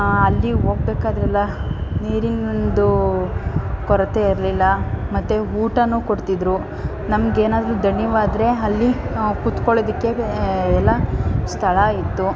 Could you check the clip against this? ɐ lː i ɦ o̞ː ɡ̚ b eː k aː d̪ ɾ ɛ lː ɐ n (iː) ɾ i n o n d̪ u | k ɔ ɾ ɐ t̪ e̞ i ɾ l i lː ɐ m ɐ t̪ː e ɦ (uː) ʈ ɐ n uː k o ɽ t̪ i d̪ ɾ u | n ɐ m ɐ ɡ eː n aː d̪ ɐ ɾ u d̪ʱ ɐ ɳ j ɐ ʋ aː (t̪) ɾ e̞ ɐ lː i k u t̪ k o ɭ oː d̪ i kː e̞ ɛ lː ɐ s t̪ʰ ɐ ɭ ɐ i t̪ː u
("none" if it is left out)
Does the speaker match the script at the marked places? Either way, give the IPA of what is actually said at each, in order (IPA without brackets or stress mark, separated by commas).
iː, uː, d̪